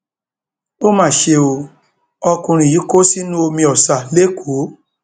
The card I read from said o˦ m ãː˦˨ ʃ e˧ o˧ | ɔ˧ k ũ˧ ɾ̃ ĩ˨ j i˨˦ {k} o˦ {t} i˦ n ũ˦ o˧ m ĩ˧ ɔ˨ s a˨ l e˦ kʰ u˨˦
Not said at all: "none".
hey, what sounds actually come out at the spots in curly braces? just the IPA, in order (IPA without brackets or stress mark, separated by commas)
k, s